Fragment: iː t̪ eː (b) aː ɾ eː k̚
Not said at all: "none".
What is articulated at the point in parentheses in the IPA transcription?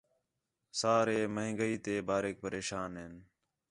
b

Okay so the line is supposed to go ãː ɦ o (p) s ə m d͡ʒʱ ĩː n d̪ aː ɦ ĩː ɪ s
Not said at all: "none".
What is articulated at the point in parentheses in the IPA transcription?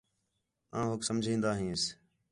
k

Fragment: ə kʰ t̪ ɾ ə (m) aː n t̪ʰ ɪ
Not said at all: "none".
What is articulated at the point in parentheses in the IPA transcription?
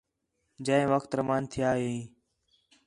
m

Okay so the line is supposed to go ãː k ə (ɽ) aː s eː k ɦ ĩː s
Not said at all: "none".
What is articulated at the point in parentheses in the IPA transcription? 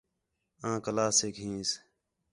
l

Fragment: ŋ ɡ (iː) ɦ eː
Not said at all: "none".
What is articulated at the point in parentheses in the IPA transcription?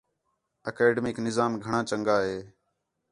aː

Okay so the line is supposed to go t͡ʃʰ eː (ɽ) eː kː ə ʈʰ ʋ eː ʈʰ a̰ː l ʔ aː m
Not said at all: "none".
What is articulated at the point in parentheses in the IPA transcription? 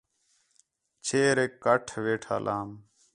ɾ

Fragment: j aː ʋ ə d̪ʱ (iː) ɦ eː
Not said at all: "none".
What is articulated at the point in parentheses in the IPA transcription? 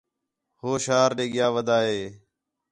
aː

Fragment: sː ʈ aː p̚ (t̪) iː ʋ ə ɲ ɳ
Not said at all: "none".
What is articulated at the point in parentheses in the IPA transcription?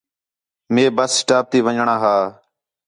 t̪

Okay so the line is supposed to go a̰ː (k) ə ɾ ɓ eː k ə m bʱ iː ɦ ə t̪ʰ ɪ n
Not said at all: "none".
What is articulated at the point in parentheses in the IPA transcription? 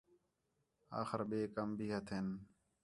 x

